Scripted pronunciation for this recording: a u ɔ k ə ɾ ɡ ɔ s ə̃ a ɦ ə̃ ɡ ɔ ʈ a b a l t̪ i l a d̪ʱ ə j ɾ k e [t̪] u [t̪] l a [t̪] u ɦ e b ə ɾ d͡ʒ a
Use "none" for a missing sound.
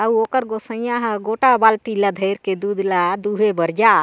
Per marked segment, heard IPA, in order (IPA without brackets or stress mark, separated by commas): d̪, d̪, d̪